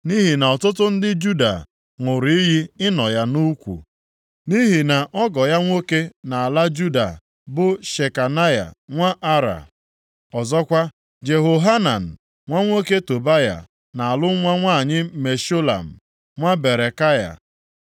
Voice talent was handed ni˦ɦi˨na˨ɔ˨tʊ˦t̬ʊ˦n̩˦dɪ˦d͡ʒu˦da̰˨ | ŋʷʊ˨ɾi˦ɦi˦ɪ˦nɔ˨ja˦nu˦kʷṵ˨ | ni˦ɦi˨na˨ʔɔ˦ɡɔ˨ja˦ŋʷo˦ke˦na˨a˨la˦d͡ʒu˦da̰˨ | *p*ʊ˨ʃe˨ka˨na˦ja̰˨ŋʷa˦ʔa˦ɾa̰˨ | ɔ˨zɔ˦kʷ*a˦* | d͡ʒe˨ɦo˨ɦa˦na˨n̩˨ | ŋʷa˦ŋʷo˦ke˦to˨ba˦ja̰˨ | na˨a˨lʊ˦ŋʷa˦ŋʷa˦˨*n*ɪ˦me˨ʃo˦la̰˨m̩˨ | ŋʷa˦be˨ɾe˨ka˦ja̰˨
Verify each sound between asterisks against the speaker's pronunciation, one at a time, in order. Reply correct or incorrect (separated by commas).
incorrect, correct, incorrect